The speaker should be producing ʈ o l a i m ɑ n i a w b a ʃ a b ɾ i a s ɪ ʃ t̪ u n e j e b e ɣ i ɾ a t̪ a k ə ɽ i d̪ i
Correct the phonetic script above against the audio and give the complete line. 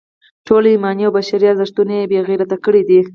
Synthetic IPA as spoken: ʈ o l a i m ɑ n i a w b a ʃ a ɾ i a z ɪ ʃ t̪ u n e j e b e ɣ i ɾ a t̪ a k ə ɽ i d̪ i